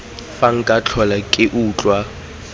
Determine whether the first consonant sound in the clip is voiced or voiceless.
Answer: voiceless